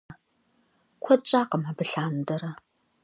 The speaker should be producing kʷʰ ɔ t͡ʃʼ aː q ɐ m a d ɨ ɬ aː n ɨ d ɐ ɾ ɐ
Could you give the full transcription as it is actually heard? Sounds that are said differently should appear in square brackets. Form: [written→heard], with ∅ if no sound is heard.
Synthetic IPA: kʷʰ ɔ t͡ʃʼ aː q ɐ m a [d→b] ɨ ɬ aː n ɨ d ɐ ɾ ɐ